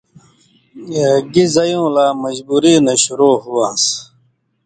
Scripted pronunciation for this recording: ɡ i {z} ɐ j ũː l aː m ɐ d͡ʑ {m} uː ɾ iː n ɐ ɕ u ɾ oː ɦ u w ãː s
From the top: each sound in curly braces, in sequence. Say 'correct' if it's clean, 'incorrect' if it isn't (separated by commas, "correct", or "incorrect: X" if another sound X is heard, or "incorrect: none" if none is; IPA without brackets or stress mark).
correct, incorrect: b